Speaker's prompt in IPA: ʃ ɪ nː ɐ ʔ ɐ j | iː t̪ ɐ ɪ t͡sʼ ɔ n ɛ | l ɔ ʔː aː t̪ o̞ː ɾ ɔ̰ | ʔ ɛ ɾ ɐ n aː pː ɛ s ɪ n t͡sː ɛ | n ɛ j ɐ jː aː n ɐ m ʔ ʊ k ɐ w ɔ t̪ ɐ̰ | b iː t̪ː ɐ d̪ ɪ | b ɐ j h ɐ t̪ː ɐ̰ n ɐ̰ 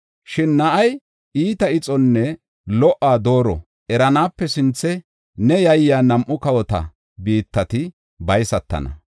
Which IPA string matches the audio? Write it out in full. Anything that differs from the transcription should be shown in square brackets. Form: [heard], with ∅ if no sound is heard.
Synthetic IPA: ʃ ɪ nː ɐ ʔ ɐ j | iː t̪ ɐ ɪ t͡sʼ ɔ [nː] ɛ | l ɔ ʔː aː [d̪] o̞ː ɾ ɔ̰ | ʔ ɛ ɾ ɐ n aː pː ɛ s ɪ n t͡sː ɛ | n ɛ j ɐ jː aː n ɐ m ʔ ʊ k ɐ w ɔ t̪ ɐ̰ | b iː t̪ː ɐ [t̪] ɪ | b ɐ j [s] ɐ t̪ː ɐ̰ n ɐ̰